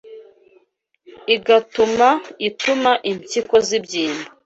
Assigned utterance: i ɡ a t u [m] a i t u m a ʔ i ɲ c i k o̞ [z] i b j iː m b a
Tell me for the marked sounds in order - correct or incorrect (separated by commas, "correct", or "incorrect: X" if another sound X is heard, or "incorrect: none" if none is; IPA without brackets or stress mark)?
correct, correct